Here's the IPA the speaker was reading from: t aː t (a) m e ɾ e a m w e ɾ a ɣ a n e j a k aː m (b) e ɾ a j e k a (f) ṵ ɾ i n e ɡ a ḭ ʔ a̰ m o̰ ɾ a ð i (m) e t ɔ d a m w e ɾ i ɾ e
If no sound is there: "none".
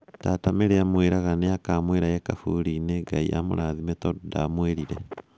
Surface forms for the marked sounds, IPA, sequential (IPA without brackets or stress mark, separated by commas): a, w, f, m